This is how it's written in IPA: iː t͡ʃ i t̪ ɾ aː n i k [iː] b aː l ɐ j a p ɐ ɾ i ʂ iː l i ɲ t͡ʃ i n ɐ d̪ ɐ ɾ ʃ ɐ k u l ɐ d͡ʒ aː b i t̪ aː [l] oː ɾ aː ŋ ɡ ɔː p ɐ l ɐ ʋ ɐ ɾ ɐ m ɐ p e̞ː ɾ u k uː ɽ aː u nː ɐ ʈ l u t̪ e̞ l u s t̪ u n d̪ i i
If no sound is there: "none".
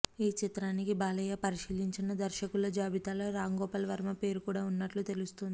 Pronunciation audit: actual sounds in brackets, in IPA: i, l

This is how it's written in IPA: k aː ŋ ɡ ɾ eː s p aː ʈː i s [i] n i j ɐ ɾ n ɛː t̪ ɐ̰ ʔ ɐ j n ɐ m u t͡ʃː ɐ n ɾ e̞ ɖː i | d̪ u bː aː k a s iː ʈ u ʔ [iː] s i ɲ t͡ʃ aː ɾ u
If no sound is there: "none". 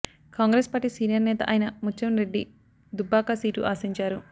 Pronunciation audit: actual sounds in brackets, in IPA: iː, aː

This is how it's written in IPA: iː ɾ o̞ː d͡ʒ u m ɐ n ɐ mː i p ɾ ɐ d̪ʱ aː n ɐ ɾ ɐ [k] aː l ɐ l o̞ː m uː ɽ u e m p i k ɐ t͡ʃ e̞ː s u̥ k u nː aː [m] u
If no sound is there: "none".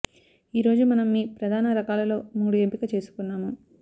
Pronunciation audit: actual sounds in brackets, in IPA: k, m

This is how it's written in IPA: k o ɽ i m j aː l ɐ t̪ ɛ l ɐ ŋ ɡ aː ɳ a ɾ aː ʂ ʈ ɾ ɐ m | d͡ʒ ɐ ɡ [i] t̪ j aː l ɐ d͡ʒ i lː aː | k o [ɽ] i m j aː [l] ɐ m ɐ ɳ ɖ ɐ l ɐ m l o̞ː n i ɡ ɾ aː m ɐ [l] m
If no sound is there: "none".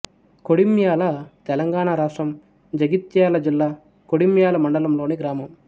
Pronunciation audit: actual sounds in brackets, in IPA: i, ɽ, l, none

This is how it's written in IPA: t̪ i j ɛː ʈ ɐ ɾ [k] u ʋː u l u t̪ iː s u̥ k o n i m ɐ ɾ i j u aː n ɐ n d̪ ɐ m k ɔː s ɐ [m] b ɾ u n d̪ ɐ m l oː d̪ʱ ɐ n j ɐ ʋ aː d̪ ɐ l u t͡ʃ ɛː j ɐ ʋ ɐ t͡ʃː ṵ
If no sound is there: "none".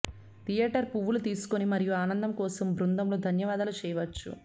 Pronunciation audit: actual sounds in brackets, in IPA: p, m

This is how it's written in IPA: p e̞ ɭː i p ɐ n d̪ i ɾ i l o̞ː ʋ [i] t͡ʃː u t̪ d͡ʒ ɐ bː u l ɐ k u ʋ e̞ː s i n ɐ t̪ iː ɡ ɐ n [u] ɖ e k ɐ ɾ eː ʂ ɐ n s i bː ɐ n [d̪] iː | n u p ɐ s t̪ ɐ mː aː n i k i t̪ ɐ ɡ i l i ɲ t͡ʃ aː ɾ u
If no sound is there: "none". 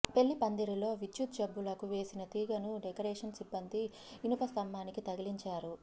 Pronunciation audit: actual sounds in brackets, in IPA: i, u, d̪

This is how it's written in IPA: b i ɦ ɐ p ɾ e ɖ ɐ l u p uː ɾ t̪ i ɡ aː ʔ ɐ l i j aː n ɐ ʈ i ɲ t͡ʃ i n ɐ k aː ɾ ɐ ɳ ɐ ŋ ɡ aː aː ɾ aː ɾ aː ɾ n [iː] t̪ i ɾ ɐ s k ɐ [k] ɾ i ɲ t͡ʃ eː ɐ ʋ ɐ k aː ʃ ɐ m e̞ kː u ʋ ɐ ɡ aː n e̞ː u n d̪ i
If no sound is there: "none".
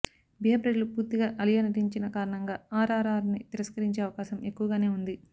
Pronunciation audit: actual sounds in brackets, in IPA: i, none

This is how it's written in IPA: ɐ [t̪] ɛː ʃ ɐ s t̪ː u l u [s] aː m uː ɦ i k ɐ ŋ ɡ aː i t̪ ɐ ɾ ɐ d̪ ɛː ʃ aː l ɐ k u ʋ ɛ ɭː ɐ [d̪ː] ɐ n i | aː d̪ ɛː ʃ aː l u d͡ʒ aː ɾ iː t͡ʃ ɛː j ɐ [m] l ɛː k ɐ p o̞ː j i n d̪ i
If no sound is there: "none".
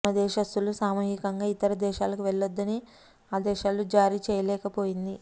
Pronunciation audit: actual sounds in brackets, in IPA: d̪, s, d̪ː, none

